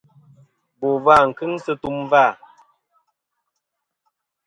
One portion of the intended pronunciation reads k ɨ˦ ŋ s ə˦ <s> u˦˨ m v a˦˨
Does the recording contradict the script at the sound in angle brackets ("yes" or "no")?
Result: yes